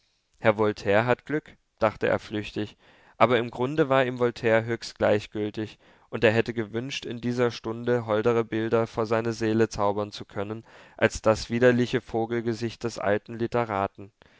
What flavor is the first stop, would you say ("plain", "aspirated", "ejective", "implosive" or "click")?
aspirated